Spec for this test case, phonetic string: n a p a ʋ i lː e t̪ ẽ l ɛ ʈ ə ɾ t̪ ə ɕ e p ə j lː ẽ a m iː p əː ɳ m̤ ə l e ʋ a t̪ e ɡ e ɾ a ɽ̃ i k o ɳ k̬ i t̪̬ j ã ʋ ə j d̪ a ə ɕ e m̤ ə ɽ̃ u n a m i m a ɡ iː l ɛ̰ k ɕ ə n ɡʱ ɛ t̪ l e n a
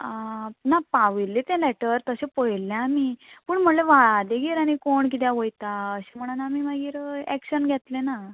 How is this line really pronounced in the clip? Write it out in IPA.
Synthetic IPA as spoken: n a p a ʋ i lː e t̪ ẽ l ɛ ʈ ə ɾ t̪ ə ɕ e p ə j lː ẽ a m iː p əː ɳ m̤ ə l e ʋ a d̪ e ɡ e ɾ a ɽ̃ i k o ɳ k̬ i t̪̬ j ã ʋ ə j t̪ a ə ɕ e m̤ ə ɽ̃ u n a m i m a ɡ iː ɾ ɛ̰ k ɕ ə n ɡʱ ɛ t̪ l e n a